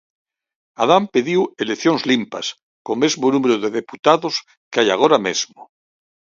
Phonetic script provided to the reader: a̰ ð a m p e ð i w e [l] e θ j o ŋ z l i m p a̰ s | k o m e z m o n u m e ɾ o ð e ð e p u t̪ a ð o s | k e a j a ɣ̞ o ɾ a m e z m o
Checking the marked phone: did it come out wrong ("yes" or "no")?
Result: no